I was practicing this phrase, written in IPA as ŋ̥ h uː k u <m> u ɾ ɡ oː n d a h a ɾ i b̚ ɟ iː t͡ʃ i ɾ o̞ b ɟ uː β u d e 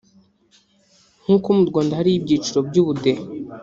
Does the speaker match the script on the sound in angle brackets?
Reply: yes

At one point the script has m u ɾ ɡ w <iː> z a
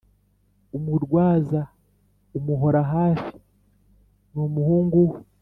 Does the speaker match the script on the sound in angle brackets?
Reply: no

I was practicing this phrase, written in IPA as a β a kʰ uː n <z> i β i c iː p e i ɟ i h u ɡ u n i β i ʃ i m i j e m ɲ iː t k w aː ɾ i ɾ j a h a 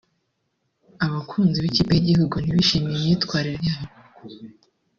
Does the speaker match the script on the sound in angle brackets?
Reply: yes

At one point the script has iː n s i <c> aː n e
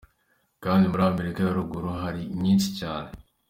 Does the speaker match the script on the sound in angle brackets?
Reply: yes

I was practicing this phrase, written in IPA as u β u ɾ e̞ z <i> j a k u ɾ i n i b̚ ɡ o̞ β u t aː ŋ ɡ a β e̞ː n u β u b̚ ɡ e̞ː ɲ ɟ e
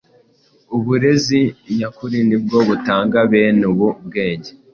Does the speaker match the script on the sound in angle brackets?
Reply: yes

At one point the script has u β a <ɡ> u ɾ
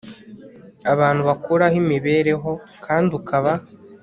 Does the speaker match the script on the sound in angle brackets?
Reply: no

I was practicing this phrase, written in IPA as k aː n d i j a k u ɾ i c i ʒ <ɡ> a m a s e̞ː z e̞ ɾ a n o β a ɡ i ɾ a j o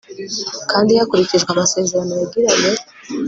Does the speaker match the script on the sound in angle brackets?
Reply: yes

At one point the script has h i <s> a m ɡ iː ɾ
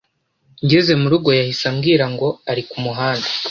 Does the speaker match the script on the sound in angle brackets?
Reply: yes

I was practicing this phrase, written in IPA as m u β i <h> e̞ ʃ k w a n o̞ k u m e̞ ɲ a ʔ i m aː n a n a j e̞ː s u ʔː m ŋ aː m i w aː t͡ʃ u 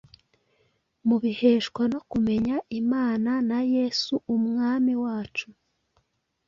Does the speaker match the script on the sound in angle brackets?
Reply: yes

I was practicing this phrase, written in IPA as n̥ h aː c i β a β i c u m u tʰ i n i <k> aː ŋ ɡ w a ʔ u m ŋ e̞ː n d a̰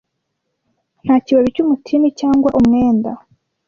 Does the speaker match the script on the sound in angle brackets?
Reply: no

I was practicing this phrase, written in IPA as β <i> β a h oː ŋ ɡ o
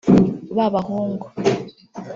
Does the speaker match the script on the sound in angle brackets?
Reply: no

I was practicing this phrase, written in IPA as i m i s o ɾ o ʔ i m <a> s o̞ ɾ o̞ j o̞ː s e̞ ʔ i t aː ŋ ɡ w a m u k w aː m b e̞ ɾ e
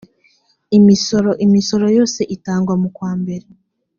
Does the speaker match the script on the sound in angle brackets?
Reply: no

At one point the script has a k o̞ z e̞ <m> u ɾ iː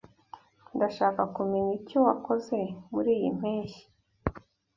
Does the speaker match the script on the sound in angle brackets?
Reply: yes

